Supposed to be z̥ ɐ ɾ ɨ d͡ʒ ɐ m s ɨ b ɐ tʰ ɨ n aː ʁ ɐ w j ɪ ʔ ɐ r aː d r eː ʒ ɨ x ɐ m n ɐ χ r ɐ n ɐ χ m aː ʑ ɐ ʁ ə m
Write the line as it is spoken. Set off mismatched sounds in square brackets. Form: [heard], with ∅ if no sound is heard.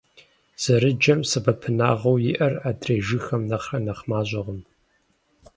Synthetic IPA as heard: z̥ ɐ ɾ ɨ d͡ʒ ɐ m s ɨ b ɐ [pʰ] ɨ n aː ʁ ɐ w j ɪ ʔ ɐ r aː d r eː ʒ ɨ x ɐ m n ɐ χ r ɐ n ɐ χ m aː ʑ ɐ ʁ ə m